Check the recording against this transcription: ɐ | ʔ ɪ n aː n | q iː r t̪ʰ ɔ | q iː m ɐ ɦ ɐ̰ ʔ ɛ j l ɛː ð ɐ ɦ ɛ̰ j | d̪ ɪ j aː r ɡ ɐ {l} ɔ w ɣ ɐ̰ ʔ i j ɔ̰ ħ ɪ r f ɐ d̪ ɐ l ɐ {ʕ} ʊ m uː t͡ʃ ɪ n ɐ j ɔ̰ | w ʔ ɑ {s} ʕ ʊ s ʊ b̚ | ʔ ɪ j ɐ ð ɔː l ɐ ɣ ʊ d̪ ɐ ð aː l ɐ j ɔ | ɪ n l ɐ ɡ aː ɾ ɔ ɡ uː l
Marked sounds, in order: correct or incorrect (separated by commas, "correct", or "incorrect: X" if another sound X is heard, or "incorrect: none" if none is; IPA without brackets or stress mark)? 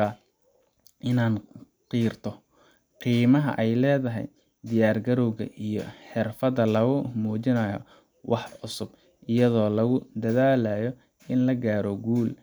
incorrect: ɾ, incorrect: ɣ, incorrect: ħ